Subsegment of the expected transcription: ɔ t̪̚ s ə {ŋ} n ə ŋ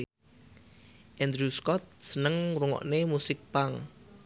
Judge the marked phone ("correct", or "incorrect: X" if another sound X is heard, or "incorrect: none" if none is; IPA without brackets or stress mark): incorrect: none